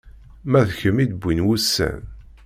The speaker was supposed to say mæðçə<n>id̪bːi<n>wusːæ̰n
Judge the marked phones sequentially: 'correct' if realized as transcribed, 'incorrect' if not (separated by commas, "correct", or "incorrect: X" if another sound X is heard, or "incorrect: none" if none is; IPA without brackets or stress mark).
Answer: incorrect: m, correct